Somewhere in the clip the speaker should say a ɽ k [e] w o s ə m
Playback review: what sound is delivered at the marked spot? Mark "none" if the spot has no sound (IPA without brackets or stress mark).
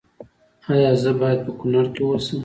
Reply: e